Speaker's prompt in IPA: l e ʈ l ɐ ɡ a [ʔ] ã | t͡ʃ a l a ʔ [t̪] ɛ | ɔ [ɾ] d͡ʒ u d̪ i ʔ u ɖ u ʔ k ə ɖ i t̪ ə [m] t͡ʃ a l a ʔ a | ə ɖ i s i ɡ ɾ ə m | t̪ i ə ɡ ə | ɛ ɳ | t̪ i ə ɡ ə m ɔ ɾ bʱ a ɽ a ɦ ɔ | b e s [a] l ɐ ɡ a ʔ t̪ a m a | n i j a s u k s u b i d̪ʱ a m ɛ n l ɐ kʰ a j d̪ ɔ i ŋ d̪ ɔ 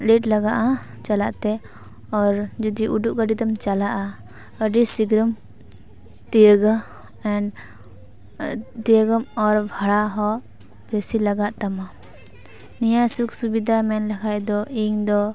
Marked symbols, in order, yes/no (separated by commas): yes, yes, yes, yes, no